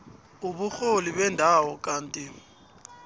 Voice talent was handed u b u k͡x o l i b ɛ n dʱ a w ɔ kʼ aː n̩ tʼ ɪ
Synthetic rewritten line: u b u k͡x o l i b ɛ n dʱ a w ɔ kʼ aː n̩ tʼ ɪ